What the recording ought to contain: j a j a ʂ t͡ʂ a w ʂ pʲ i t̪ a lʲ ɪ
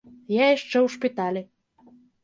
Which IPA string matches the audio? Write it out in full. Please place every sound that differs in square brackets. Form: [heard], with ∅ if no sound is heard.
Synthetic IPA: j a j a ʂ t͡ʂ [ɛ] w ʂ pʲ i t̪ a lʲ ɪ

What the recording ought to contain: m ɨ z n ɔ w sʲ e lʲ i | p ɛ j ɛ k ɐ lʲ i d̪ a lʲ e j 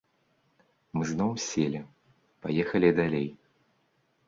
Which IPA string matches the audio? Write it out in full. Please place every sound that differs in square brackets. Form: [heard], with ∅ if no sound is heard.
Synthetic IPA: m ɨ z n ɔ w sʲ e lʲ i | p [a] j ɛ [x] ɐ lʲ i d̪ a lʲ e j

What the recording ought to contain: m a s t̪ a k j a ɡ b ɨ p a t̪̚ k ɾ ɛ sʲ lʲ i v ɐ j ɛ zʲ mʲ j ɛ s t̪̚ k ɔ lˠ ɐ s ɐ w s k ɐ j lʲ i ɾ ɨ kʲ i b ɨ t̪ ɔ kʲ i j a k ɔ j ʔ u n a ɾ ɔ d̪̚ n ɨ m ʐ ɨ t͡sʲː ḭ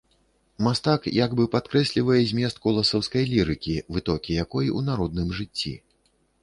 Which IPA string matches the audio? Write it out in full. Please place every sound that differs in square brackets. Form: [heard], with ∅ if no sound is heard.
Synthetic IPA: m a s t̪ a k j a ɡ b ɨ p a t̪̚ k ɾ ɛ sʲ lʲ i v ɐ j ɛ zʲ mʲ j ɛ s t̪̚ k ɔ lˠ ɐ s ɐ w s k ɐ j lʲ i ɾ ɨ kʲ i [v] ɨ t̪ ɔ kʲ i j a k ɔ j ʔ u n a ɾ ɔ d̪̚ n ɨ m ʐ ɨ t͡sʲː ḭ

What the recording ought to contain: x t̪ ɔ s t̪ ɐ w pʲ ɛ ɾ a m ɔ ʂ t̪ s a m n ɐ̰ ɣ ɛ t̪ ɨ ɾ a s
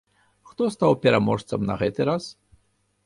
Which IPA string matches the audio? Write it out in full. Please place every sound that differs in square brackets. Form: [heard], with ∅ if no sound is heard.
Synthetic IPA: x t̪ ɔ s t̪ [a] w pʲ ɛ ɾ a m ɔ ʂ t̪ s [ɐ] m n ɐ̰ ɣ ɛ t̪ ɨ ɾ a s

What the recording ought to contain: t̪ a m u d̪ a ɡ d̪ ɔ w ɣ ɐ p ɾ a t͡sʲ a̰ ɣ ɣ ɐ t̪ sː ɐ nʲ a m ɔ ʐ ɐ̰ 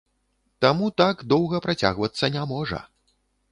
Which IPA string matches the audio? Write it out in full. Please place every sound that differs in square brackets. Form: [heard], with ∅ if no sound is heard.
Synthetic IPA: t̪ a m u [t̪] a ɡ d̪ ɔ w ɣ ɐ p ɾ a t͡sʲ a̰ ɣ [v] ɐ t̪ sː ɐ nʲ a m ɔ ʐ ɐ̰

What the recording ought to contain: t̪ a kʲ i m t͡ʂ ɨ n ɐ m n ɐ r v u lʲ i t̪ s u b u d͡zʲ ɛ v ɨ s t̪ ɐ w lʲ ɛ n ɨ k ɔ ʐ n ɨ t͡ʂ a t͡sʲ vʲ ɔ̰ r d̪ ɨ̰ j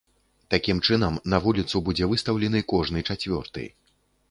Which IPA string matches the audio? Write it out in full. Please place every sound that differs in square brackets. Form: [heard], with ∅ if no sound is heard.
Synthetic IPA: t̪ a kʲ i m t͡ʂ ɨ n ɐ m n ɐ [∅] v u lʲ i t̪ s u b u d͡zʲ ɛ v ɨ s t̪ ɐ w lʲ ɛ n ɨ k ɔ ʐ n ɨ t͡ʂ a t͡sʲ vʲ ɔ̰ r [t̪] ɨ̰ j

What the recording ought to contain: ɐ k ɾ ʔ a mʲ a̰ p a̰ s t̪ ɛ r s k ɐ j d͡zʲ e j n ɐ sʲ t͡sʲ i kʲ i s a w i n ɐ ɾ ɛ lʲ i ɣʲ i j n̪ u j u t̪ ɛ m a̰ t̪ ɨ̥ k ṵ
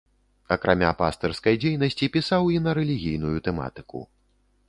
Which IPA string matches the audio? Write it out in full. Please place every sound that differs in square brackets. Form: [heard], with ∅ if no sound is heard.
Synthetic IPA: ɐ k ɾ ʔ a mʲ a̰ p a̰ s t̪ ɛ r s k ɐ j d͡zʲ e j n ɐ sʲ t͡sʲ i [pʲ] i s a w i n ɐ ɾ ɛ lʲ i ɣʲ i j n̪ u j u t̪ ɛ m a̰ t̪ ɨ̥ k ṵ

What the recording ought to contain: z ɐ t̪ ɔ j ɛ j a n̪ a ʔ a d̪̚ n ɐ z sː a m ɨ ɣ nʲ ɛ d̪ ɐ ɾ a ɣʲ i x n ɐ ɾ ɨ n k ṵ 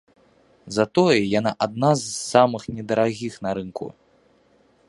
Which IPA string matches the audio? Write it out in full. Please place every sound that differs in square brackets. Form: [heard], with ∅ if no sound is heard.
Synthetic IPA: z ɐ t̪ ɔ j ɛ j a n̪ a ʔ a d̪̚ n [a] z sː a m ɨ [x] nʲ ɛ d̪ ɐ ɾ a ɣʲ i x n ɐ ɾ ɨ n k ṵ

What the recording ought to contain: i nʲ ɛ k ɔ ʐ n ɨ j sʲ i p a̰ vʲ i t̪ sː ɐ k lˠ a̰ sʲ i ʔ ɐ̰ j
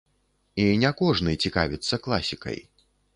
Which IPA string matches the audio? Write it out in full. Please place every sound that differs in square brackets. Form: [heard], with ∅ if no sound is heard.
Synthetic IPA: i nʲ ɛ k ɔ ʐ n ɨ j [t͡sʲ] i [k] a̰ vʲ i t̪ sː ɐ k lˠ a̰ sʲ i [k] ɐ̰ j

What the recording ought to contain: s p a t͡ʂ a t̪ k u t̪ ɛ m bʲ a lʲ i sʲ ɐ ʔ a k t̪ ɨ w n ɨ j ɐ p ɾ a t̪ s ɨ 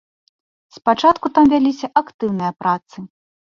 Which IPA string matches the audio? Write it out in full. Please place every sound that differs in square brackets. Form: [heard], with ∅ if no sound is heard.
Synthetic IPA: s p a t͡ʂ a t̪ k u t̪ [a] m [vʲ] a lʲ i sʲ ɐ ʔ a k t̪ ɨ w n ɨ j ɐ p ɾ a t̪ s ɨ

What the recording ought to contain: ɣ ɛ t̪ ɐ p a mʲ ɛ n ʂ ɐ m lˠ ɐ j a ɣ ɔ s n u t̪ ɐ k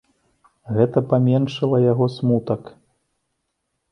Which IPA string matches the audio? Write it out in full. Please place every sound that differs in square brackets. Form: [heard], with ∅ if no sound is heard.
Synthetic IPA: ɣ ɛ t̪ ɐ p a mʲ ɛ n ʂ ɐ [∅] lˠ ɐ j a ɣ ɔ s [m] u t̪ ɐ k

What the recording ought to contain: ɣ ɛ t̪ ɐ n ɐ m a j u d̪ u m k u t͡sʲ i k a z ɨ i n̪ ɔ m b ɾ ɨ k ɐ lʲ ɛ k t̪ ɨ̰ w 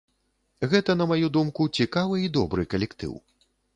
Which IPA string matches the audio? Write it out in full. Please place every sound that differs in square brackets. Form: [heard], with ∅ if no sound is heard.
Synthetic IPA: ɣ ɛ t̪ ɐ n ɐ m a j u d̪ u m k u t͡sʲ i k a [v] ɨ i [d̪] ɔ [∅] b ɾ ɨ k ɐ lʲ ɛ k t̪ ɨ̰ w

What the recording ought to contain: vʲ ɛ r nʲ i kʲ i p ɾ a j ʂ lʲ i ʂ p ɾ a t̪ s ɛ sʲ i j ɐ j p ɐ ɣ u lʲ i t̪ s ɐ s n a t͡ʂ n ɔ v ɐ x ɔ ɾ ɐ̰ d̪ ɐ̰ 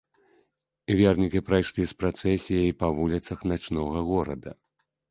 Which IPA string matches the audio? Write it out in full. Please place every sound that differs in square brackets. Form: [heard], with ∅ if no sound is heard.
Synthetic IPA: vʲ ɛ r nʲ i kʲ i p ɾ a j ʂ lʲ i [s] p ɾ a t̪ s ɛ sʲ i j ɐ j p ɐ [v] u lʲ i t̪ s ɐ [x] n a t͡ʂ n ɔ [ɣ] ɐ [ɣ] ɔ ɾ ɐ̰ d̪ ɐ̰

